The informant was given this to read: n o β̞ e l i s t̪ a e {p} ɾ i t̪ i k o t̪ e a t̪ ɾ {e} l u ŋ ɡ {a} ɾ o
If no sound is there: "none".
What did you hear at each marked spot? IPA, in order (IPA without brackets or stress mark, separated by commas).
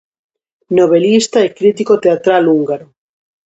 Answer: k, a, a